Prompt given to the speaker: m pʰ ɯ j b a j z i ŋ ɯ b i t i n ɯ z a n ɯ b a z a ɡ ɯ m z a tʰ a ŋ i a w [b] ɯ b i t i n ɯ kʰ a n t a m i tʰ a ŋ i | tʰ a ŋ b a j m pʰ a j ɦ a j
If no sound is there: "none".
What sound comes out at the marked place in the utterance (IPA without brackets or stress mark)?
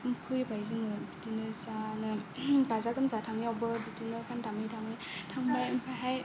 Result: b